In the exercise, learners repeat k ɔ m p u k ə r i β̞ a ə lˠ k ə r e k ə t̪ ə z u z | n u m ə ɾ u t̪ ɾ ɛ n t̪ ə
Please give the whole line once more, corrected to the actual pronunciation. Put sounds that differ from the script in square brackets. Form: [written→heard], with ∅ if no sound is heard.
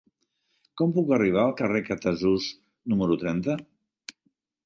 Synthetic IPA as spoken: k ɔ m p u k ə r i β̞ a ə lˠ k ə r e k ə t̪ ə z u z | n u m ə ɾ u t̪ ɾ ɛ n t̪ ə